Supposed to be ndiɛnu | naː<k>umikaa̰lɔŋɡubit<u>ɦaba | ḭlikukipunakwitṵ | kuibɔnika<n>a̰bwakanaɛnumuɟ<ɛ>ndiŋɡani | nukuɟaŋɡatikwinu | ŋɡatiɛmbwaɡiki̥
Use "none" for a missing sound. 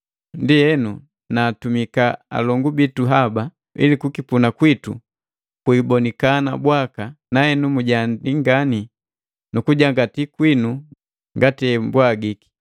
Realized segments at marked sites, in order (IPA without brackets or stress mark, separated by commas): t, u, n, a